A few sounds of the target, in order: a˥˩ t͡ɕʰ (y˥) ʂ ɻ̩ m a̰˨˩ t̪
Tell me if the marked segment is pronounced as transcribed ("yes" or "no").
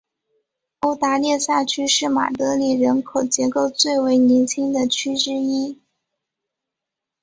yes